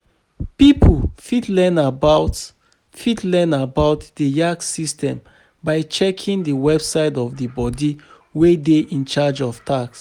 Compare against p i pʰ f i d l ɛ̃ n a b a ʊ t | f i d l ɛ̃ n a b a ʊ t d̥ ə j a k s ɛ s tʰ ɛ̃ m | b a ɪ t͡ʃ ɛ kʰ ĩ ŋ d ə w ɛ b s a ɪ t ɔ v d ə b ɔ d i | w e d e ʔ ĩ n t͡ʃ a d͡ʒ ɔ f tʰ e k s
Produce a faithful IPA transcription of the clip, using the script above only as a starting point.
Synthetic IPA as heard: p i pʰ f i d l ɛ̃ n a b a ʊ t | f i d l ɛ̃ n a b a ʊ t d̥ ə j a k s i s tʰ ɛ̃ m | b a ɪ t͡ʃ ɛ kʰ ĩ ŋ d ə w ɛ b s a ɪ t ɔ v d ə b ɔ d i | w e d e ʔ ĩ n t͡ʃ a d͡ʒ ɔ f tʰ a k s